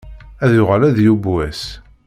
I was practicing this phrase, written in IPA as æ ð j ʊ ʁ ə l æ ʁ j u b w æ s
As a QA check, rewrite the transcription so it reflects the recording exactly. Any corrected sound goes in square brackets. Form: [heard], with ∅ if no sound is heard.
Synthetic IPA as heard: æ ð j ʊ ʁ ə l æ [ð] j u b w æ s